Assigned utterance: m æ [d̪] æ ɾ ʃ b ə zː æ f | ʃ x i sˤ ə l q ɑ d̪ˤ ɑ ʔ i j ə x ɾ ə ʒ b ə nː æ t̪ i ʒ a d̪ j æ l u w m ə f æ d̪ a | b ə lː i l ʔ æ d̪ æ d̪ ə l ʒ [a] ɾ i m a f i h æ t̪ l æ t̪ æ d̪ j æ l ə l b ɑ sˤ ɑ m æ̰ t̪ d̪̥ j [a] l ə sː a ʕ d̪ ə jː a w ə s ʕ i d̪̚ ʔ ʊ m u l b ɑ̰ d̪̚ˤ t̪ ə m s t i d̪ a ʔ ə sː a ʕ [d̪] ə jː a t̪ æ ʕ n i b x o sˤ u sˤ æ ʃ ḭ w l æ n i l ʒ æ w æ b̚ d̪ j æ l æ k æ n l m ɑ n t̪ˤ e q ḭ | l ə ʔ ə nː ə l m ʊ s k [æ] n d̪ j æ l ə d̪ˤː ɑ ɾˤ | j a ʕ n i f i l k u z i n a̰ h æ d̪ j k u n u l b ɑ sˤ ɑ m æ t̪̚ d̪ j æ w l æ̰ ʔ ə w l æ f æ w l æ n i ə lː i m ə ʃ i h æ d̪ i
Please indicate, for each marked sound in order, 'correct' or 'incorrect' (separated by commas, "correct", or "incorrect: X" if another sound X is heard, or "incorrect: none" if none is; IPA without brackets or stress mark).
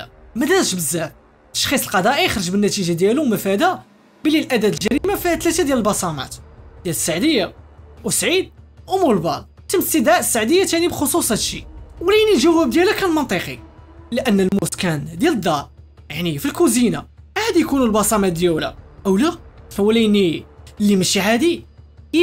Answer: correct, incorrect: æ, incorrect: æ, correct, correct